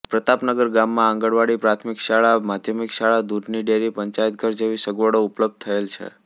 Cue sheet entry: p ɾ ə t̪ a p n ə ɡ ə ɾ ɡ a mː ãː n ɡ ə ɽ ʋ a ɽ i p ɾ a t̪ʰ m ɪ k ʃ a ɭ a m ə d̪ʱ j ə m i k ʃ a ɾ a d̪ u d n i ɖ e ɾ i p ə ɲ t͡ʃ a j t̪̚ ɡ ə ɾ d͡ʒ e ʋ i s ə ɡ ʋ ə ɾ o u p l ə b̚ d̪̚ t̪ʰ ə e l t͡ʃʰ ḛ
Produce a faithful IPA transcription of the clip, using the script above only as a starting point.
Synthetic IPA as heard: p ɾ ə t̪ a p n ə ɡ ə ɾ ɡ a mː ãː ŋ ɡ ə ɽ ʋ a ɽ i p ɾ a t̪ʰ m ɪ k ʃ a ɭ a m a d̪ʱ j ə m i k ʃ a ɭ a d̪ u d n i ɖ e ɾ i p ə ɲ t͡ʃ a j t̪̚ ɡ ə ɾ d͡ʒ e ʋ i s ə ɡ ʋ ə ɽ o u p l ə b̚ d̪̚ t̪ʰ ə e l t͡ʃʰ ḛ